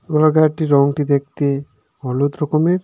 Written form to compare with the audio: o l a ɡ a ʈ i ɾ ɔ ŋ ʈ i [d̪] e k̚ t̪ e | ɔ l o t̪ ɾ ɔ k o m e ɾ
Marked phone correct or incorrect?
correct